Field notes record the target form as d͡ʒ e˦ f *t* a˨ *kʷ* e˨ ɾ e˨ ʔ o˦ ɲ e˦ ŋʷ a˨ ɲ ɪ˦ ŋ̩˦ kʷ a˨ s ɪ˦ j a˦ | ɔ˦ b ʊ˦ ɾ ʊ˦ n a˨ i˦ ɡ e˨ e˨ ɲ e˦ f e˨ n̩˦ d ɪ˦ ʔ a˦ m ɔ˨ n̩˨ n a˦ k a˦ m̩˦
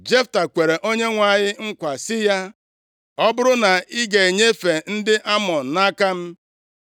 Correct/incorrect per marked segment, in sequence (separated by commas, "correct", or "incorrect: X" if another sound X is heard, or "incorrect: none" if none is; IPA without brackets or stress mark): correct, correct